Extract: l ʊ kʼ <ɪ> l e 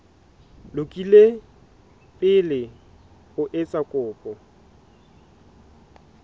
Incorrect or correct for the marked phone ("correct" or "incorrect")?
incorrect